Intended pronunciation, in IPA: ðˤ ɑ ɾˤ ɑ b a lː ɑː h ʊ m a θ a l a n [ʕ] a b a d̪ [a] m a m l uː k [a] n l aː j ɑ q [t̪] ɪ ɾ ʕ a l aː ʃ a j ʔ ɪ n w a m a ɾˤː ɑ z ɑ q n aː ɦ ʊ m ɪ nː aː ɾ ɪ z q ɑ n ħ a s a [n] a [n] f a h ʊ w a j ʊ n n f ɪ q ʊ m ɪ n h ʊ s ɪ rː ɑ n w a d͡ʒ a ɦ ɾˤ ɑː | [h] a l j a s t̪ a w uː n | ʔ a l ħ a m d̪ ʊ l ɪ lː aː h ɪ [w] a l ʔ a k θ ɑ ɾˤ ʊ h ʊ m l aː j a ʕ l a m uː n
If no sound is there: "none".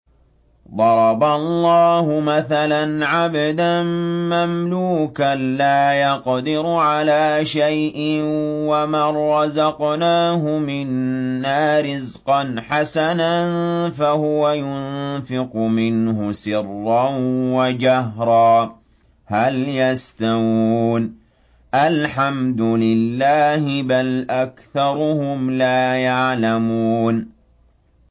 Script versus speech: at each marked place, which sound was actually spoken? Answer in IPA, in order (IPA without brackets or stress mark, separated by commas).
ʕ, a, a, d̪, n, n, h, b